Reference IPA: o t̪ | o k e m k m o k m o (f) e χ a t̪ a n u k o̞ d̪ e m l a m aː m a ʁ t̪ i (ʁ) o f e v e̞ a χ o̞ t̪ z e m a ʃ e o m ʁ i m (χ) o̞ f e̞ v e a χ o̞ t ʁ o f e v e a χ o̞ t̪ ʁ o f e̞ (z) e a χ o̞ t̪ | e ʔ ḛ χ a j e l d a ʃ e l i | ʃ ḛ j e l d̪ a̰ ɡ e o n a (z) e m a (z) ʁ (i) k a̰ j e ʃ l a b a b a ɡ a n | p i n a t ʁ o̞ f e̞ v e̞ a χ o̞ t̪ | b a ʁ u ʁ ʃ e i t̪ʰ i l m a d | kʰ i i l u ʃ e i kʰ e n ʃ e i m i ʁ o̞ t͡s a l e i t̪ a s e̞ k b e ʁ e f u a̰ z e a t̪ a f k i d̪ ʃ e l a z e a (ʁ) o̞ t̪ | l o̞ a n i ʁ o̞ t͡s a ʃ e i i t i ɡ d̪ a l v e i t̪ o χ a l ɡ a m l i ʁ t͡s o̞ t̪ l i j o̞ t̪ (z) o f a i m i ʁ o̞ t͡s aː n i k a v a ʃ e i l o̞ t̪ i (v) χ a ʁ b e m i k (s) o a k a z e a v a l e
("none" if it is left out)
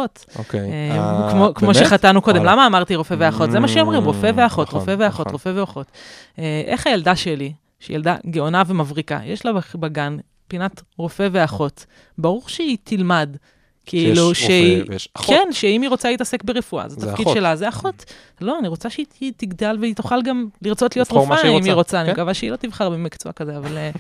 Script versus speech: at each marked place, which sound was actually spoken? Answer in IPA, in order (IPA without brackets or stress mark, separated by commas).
ʃ, ʁ, ʁ, v, v, v, i, χ, ʁ, v, t͡s